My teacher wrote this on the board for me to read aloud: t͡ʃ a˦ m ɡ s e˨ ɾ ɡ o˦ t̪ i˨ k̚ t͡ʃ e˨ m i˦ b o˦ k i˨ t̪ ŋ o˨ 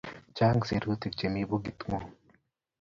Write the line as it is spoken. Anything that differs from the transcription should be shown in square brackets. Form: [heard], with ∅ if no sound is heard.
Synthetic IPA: t͡ʃ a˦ [ŋ] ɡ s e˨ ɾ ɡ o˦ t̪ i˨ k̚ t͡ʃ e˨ m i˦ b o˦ [ɡ] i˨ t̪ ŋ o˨